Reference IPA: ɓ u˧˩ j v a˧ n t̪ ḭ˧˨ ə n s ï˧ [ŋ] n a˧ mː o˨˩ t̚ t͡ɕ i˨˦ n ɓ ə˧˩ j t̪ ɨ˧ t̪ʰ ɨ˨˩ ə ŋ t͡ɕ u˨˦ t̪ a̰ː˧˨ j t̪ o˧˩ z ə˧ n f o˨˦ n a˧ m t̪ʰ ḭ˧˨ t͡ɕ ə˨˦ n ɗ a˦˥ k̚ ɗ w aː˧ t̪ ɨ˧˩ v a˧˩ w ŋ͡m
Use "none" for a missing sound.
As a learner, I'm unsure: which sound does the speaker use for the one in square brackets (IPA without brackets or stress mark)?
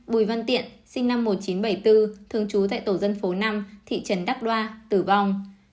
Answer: ŋ